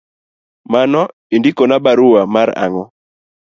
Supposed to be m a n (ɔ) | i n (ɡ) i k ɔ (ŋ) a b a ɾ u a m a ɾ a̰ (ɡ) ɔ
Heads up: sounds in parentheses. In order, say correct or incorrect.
correct, incorrect: d, incorrect: n, incorrect: ŋ

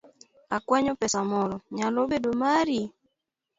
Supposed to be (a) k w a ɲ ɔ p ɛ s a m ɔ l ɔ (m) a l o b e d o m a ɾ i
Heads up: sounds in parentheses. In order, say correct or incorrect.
correct, incorrect: ɲ

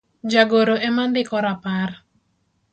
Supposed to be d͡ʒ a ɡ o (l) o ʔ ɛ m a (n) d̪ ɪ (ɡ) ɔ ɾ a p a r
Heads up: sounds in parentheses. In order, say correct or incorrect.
incorrect: ɾ, correct, incorrect: k

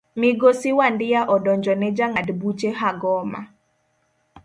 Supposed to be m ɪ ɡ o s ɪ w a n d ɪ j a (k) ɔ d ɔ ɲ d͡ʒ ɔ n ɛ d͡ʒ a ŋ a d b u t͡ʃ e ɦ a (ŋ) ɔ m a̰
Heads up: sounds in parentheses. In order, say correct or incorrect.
incorrect: ʔ, incorrect: ɡ

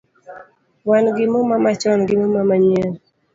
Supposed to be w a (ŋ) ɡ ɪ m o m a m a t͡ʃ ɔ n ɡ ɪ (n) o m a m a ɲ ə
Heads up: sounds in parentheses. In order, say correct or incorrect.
incorrect: n, incorrect: m

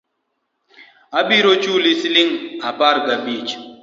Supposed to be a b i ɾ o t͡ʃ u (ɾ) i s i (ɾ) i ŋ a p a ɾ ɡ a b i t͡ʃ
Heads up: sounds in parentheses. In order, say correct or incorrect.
incorrect: l, incorrect: l

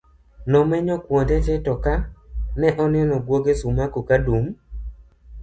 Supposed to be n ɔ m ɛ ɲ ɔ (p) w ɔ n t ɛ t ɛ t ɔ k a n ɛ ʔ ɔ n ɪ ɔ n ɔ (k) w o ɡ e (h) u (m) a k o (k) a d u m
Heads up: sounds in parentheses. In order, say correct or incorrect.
incorrect: k, incorrect: ɡ, incorrect: s, correct, correct

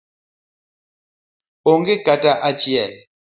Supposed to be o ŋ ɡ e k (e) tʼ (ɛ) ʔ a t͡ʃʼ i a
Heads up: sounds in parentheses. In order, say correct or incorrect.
incorrect: a, incorrect: a

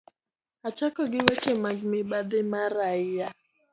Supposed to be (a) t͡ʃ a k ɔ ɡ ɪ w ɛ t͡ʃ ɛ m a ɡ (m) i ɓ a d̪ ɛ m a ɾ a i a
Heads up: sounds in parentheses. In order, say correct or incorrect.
correct, correct

